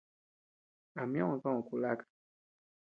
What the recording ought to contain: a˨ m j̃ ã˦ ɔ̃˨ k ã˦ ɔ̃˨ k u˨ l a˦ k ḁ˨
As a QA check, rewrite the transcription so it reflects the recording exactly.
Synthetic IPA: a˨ m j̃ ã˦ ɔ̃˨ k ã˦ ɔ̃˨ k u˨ l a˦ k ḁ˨